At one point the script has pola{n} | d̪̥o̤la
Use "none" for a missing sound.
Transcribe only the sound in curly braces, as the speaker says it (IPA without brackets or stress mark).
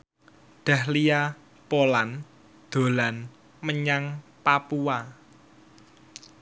n